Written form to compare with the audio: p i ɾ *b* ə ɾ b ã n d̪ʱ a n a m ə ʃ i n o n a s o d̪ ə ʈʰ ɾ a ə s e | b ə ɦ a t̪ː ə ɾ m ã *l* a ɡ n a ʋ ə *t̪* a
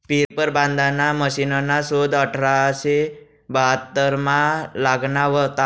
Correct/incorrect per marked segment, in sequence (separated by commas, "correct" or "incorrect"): incorrect, correct, correct